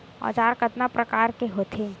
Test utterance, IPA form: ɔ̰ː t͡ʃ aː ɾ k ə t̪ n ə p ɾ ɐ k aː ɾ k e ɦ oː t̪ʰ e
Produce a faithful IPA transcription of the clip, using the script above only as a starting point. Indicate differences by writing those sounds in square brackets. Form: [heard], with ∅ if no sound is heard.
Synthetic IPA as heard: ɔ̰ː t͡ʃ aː ɾ k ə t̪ n [a] p ɾ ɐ k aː ɾ k e ɦ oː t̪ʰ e